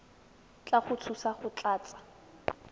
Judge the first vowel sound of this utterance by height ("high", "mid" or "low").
low